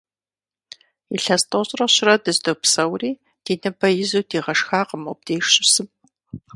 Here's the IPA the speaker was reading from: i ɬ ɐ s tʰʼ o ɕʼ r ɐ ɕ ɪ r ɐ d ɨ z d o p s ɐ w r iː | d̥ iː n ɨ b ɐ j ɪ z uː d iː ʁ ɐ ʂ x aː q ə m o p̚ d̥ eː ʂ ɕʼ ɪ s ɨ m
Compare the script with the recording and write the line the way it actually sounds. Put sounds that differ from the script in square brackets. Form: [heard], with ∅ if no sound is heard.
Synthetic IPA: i ɬ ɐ s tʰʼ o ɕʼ r ɐ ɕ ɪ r ɐ d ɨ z d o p s ɐ w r iː | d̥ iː n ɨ b ɐ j ɪ z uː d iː ʁ ɐ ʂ x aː q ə m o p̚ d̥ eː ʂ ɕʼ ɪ s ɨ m